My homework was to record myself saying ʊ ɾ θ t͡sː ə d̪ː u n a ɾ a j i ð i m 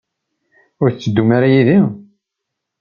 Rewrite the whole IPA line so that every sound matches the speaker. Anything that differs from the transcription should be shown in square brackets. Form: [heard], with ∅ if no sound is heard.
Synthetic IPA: ʊ ɾ θ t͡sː ə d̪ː u [m] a ɾ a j i ð i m